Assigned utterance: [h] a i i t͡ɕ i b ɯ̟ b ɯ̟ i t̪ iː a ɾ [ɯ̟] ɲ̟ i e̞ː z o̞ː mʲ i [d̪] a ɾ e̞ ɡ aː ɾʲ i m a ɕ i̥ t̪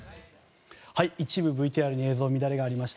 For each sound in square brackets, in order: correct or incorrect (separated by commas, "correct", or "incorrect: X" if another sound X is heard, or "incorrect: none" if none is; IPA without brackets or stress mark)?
correct, correct, correct